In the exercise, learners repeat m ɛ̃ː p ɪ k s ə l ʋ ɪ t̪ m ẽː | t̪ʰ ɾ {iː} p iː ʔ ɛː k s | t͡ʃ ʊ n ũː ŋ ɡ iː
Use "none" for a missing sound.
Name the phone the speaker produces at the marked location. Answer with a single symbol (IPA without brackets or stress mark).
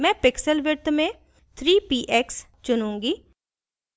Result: iː